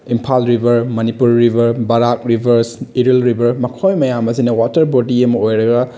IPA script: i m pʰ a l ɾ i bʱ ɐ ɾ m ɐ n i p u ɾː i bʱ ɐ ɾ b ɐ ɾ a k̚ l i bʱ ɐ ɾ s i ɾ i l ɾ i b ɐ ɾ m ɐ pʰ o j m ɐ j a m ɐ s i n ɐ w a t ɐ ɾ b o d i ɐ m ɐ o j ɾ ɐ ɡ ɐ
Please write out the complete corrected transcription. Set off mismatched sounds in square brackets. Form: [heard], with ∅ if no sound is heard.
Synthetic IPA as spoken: i m pʰ a l ɾ i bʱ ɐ ɾ m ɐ n i p u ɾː i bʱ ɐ ɾ b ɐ ɾ a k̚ [ɾ] i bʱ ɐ ɾ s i ɾ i l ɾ i b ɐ ɾ m ɐ [kʰ] o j m ɐ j a m ɐ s i n ɐ w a t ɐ ɾ b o d i ɐ m ɐ o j ɾ ɐ ɡ ɐ

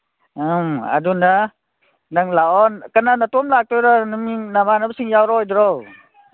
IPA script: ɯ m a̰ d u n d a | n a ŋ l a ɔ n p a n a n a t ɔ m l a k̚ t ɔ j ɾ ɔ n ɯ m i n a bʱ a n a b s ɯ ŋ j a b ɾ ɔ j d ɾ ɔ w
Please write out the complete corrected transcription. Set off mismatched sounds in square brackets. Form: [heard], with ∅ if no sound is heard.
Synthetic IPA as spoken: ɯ m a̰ d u n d a | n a ŋ l a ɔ n [k] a n a n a t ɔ m l a k̚ t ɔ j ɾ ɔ n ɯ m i n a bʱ a n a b s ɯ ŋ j a [w] ɾ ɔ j d ɾ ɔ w

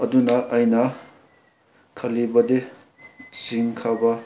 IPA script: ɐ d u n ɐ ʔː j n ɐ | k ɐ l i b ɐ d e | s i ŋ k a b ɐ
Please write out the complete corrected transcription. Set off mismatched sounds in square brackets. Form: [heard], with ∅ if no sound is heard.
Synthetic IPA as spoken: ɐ d u n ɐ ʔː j n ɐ | [kʰ] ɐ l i b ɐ d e | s i ŋ [kʰ] a b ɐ

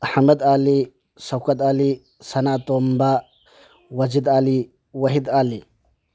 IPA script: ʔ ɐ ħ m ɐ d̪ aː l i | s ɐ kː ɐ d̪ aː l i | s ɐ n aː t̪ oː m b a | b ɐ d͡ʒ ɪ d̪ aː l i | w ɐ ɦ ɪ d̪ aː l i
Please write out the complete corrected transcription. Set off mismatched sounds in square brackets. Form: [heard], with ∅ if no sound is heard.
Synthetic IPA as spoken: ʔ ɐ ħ m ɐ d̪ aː l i | s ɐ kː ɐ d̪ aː l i | s ɐ n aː t̪ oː m b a | [w] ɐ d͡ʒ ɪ d̪ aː l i | w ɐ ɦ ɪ d̪ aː l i

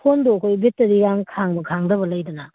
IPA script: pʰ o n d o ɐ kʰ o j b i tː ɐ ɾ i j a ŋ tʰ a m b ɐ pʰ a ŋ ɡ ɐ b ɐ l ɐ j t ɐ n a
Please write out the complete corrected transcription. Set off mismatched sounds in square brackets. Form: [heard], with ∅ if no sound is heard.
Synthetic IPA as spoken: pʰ o n d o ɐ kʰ o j b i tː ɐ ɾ i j a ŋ [kʰ] a [ŋ] b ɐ [kʰ] a ŋ [d] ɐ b ɐ l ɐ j [d] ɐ n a

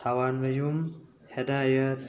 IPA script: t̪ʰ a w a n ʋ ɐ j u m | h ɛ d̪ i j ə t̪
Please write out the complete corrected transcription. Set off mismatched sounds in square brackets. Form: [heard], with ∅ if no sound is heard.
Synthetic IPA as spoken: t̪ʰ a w a n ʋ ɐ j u m | h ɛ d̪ [a] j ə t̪

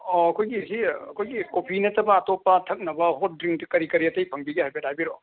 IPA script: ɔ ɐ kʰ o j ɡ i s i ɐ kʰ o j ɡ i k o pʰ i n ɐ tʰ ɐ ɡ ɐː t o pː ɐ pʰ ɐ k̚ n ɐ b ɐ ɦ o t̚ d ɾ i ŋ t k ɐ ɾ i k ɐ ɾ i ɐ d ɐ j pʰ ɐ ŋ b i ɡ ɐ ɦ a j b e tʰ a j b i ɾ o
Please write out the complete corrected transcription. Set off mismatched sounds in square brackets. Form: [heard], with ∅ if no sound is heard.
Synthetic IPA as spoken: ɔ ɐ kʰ o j ɡ i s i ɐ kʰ o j ɡ i k o pʰ i n ɐ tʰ ɐ [b] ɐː t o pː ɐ [tʰ] ɐ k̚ n ɐ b ɐ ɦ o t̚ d ɾ i ŋ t k ɐ ɾ i k ɐ ɾ i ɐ [t] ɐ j pʰ ɐ ŋ b i ɡ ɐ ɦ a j b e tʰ a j b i ɾ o

